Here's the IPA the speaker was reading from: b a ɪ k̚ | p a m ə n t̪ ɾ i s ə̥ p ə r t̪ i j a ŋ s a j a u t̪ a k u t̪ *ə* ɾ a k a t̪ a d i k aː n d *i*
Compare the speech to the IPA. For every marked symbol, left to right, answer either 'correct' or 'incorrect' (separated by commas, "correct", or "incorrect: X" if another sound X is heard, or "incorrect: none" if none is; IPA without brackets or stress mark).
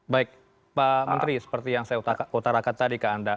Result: incorrect: a, incorrect: a